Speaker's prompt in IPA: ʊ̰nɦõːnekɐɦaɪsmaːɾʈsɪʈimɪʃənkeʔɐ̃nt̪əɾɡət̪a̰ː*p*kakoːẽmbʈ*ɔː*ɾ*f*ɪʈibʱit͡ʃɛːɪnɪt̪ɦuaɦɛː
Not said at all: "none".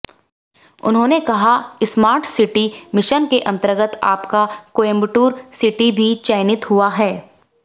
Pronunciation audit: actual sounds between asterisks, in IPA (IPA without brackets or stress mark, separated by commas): p, uː, s